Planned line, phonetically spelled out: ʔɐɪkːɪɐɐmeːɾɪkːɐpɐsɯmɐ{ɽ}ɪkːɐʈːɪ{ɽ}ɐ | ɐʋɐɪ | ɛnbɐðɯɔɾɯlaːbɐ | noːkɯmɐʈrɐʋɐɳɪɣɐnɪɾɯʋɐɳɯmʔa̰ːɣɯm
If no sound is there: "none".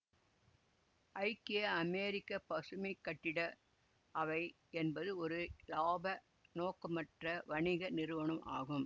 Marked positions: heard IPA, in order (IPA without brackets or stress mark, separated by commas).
none, ɽ